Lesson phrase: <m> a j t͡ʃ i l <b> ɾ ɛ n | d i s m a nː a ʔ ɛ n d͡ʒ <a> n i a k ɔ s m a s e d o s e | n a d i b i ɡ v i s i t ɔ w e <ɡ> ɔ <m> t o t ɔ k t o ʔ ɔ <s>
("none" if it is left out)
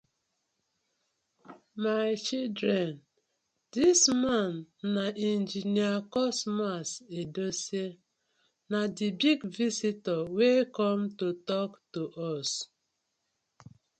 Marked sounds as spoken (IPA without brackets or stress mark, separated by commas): m, d, i, k, m, s